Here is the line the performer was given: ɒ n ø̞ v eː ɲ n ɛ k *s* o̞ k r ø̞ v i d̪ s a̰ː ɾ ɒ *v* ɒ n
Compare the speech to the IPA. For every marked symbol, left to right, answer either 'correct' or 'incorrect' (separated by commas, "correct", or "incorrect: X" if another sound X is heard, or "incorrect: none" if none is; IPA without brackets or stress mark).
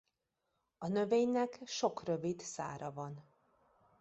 incorrect: ʃ, correct